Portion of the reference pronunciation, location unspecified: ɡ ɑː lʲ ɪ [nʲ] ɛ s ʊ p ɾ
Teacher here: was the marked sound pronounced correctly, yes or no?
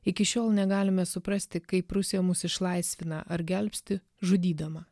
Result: no